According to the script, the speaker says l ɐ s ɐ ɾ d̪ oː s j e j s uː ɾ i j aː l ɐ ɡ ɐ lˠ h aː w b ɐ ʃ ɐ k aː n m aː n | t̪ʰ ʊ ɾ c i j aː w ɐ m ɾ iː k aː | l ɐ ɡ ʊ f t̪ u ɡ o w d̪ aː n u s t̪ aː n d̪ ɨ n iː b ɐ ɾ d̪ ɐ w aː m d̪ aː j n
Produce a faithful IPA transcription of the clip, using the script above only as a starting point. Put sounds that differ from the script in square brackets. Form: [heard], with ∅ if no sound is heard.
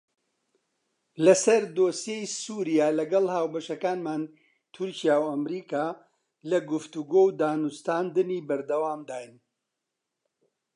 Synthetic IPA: l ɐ s ɐ ɾ d̪ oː s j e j s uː ɾ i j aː l ɐ ɡ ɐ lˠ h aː w b ɐ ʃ ɐ k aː n m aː n | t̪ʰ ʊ ɾ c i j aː w ɐ m ɾ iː k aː | l ɐ ɡ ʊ f t̪ u ɡ o w d̪ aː n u s t̪ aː n d̪ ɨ n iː b ɐ ɾ d̪ ɐ w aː m d̪ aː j n